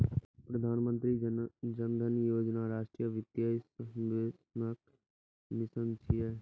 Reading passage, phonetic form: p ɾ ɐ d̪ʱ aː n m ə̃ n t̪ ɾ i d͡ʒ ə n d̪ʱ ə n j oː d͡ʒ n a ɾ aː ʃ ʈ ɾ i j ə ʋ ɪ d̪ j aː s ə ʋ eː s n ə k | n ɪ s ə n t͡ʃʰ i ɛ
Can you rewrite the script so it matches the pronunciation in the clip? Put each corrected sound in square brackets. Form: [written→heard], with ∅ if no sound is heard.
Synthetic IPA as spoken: p ɾ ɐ d̪ʱ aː n m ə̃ n t̪ ɾ i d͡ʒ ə n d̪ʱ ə n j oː d͡ʒ n a ɾ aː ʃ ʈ ɾ i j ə ʋ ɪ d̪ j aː s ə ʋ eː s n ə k | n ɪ s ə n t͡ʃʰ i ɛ